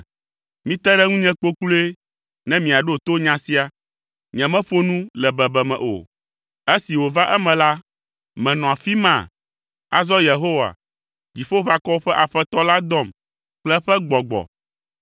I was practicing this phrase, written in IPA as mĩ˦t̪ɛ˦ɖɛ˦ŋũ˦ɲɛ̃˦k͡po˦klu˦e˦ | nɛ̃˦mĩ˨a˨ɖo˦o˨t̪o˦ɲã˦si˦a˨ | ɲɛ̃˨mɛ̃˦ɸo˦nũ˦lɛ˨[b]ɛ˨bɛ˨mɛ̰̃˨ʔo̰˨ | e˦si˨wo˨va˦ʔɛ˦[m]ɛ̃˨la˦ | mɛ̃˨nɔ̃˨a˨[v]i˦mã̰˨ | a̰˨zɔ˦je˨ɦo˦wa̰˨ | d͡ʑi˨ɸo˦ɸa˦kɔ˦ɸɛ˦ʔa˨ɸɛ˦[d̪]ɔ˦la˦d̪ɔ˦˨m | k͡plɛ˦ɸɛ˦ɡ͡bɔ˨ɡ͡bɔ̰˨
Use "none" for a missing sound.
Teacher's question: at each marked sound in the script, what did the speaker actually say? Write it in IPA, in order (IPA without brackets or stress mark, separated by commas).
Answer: b, m, f, t̪